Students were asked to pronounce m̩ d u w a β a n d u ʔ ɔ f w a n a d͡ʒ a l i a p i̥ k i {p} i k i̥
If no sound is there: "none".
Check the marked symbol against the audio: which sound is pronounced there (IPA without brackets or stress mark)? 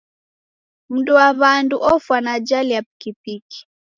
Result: p